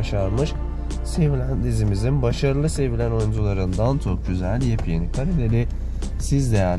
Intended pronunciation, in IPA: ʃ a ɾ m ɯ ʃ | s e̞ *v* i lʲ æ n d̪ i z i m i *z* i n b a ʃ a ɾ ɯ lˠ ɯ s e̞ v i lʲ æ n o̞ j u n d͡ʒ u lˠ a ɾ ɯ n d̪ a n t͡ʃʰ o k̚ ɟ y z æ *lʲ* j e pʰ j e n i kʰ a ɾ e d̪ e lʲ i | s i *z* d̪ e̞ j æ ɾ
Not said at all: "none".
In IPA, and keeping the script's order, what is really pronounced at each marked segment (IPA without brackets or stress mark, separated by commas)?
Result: v, z, lʲ, z